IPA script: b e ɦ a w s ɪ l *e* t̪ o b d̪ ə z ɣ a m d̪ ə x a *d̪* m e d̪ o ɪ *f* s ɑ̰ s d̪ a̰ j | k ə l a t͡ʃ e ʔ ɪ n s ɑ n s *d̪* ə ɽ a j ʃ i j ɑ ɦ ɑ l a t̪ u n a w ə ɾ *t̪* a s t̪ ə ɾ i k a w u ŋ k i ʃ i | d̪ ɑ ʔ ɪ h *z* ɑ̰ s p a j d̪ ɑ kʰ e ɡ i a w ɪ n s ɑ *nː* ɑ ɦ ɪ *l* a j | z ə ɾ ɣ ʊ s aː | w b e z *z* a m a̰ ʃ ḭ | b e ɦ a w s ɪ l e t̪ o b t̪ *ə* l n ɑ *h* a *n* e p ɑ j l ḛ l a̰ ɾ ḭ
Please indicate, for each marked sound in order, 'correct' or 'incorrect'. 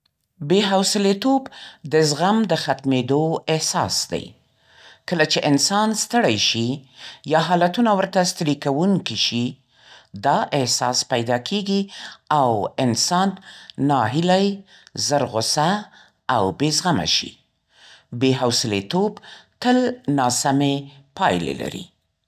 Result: correct, incorrect: t̪, incorrect: h, incorrect: t̪, correct, incorrect: s, correct, correct, incorrect: ɣ, correct, incorrect: s, incorrect: m

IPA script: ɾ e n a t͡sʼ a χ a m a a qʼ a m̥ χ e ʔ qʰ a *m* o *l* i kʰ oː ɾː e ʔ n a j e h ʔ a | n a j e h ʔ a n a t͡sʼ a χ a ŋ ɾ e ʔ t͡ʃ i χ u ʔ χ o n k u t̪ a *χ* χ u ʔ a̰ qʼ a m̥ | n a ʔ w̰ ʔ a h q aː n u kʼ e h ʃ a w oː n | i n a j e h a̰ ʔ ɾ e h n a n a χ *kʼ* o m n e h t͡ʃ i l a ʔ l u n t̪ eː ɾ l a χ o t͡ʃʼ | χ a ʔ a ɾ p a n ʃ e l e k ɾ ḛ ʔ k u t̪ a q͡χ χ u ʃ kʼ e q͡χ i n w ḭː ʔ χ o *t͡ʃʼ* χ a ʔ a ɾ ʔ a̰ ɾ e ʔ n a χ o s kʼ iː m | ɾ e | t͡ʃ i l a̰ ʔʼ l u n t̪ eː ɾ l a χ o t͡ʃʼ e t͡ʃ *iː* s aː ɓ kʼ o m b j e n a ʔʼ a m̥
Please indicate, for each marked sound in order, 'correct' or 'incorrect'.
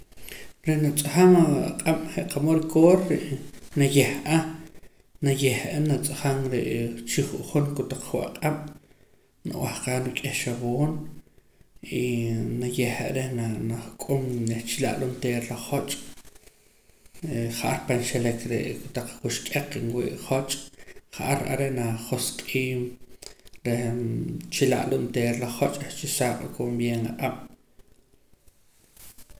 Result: correct, incorrect: ɾ, incorrect: q͡χ, correct, correct, incorrect: i

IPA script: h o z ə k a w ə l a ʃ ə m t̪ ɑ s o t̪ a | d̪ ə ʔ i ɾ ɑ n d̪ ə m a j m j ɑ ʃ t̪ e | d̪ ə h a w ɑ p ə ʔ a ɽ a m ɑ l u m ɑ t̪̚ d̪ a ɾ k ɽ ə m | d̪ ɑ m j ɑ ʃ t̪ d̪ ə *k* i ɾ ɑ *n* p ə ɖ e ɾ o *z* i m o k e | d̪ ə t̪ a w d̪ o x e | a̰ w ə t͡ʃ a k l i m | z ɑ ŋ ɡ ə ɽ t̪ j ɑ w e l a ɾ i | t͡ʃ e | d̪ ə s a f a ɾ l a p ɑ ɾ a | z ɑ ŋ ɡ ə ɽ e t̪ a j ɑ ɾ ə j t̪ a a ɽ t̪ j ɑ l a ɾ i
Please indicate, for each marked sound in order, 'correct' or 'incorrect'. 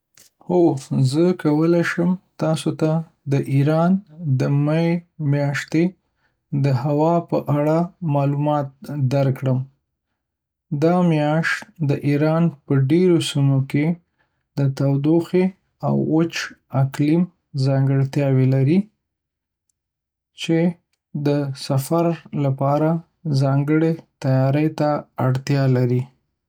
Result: incorrect: ʔ, correct, incorrect: s

